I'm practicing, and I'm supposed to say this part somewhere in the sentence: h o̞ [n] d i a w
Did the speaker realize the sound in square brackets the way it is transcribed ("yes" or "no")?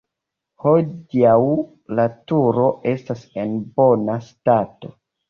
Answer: no